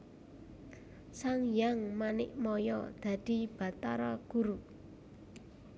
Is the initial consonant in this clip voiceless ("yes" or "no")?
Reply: yes